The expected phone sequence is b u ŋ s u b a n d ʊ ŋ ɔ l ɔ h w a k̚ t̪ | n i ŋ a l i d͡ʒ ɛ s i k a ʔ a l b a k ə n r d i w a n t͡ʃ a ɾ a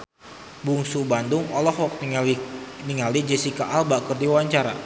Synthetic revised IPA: b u ŋ s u b a n d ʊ ŋ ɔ l ɔ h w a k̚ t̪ | n i ŋ a l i d͡ʒ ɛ s i k a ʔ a l b a k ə r d i w a ɲ t͡ʃ a ɾ a

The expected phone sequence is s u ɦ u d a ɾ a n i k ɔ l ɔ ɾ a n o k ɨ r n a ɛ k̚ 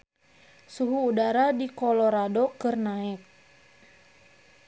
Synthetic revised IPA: s u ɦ uː d a ɾ a d i k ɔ l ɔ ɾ a d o k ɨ r n a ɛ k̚

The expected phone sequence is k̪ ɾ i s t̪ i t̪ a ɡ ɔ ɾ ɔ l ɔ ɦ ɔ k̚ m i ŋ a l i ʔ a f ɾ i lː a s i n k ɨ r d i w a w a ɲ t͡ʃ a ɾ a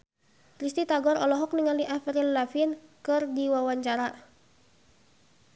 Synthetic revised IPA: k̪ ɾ i s t̪ i t̪ a ɡ ɔ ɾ ɔ l ɔ ɦ ɔ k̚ n i ŋ a l i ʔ a f ɾ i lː a f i n k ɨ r d i w a w a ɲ t͡ʃ a ɾ a

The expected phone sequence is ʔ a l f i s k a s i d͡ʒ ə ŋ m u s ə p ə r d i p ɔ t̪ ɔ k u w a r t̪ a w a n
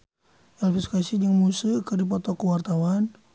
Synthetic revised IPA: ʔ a l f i s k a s i d͡ʒ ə ŋ m u s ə k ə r d i p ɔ t̪ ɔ k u w a r t̪ a w a n

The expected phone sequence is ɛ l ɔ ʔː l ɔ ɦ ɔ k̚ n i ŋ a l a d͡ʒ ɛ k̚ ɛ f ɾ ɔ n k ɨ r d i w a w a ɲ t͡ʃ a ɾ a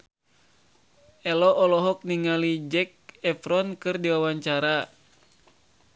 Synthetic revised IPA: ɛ l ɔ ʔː l ɔ ɦ ɔ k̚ n i ŋ a l i d͡ʒ ɛ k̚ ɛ f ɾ ɔ n k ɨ r d i w a w a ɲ t͡ʃ a ɾ a

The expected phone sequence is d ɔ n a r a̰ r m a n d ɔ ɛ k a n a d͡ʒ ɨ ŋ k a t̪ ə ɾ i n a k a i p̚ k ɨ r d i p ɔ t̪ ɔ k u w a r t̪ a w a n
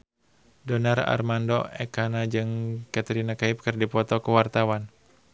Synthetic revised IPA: d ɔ n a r a̰ r m a n d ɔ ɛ k a n a d͡ʒ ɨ ŋ k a t̪ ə ɾ i n a k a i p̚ k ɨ r d i p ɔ t̪ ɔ k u w a r t̪ a w a n

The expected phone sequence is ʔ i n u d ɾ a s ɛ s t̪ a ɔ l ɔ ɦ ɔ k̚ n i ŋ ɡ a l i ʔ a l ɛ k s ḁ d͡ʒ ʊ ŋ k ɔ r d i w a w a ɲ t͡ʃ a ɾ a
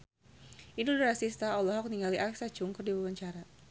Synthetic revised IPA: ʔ i n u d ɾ a s i s t̪ a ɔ l ɔ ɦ ɔ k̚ n i ŋ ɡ a l i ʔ a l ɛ k s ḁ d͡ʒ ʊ ŋ k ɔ r d i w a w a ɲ t͡ʃ a ɾ a

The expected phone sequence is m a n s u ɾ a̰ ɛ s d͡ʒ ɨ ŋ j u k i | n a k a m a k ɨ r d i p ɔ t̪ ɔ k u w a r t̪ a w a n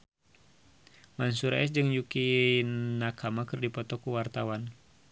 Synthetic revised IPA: m a n s u ɾ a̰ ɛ s d͡ʒ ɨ ŋ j u k i | n a k a m a k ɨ r d i p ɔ t̪ ɔ k u w a r t̪ a w a n

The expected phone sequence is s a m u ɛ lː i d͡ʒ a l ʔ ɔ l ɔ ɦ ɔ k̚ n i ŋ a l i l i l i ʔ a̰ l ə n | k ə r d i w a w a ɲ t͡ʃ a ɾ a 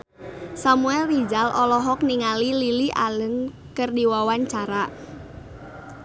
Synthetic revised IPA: s a m u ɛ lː i d͡ʒ a l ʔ ɔ l ɔ ɦ ɔ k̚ n i ŋ a l i l i l i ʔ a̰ l ə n | k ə r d i w a w a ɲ t͡ʃ a ɾ a

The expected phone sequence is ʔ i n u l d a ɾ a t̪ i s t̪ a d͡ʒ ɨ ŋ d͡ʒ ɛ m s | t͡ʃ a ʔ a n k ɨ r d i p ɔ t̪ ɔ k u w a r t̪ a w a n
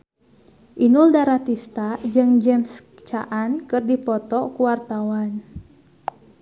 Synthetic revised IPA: ʔ i n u l d a ɾ a t̪ i s t̪ a d͡ʒ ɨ ŋ d͡ʒ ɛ m s | t͡ʃ a ʔ a n k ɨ r d i p ɔ t̪ ɔ k u w a r t̪ a w a n

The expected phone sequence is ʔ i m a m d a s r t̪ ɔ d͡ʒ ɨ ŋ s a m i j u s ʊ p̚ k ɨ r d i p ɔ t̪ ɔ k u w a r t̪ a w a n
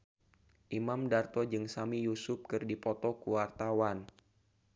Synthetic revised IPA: ʔ i m a m d a r t̪ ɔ d͡ʒ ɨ ŋ s a m i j u s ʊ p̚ k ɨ r d i p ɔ t̪ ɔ k u w a r t̪ a w a n

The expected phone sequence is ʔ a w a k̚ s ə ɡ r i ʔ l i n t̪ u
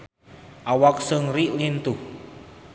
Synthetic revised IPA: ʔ a w a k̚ s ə ŋ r i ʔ l i n t̪ u

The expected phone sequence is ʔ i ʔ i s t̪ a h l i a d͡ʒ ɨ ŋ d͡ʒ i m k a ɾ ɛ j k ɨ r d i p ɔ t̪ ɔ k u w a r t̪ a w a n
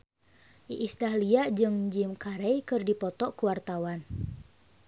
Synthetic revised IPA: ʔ i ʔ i s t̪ a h l i a d͡ʒ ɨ ŋ d͡ʒ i m k a ɾ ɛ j k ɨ r d i p ɔ t̪ ɔ k u w a r t̪ a w a n

